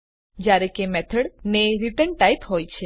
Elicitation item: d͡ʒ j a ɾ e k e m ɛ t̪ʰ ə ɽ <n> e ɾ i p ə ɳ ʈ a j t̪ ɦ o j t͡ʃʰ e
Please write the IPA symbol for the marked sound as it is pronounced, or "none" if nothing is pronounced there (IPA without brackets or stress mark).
n